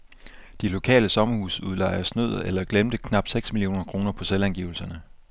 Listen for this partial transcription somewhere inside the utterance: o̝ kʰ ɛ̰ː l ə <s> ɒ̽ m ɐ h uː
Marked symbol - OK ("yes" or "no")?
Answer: yes